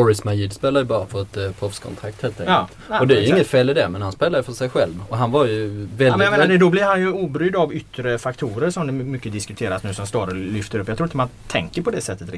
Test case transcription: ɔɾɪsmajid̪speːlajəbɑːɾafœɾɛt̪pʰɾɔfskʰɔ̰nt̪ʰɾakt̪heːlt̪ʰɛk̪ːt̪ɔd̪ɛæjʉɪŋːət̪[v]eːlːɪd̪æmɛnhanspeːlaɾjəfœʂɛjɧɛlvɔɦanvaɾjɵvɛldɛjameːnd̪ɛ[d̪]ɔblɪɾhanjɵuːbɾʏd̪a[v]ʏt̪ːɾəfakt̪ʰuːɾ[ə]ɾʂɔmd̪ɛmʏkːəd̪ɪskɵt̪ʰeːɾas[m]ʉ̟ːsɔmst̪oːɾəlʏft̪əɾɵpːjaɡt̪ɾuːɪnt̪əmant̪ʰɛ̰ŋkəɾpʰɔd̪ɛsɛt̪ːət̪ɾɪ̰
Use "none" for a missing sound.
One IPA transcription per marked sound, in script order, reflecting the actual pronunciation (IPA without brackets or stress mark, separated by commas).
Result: f, d̪, v, ə, n